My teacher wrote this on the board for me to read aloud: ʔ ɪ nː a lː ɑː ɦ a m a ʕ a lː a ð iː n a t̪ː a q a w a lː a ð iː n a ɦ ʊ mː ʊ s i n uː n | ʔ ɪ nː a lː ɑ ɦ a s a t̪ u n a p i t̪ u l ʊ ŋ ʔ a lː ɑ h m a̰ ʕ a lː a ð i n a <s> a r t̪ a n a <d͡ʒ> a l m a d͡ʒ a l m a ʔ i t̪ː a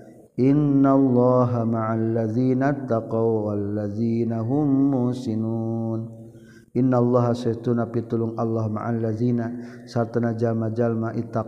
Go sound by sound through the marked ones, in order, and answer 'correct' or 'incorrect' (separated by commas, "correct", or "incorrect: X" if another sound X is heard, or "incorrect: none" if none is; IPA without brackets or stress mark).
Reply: correct, correct